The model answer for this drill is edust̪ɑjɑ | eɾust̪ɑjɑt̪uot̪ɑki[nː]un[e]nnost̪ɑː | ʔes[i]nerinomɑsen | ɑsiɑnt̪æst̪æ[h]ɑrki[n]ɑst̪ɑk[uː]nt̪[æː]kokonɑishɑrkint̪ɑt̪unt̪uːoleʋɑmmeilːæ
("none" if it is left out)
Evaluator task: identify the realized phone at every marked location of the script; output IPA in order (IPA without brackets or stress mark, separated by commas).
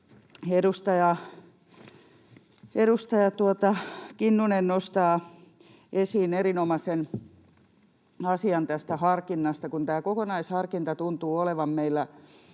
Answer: nː, e, iː, h, nː, u, æː